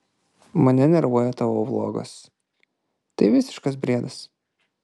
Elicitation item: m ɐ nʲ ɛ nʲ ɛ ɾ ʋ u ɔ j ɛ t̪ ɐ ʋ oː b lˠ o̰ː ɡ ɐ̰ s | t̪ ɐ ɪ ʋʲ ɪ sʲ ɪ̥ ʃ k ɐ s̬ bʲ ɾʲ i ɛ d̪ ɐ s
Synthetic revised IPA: m ɐ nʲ ɛ nʲ ɛ ɾ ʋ u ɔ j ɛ t̪ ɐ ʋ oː b lˠ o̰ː ɡ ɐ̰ s | t̪ ɐ ɪ ʋʲ ɪ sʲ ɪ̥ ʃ k ɐ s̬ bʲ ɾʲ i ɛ d̪ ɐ s